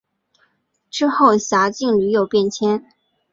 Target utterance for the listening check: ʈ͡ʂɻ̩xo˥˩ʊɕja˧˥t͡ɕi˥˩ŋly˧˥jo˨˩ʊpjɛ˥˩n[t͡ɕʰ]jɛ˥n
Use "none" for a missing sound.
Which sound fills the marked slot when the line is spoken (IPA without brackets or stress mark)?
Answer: t͡ɕʰ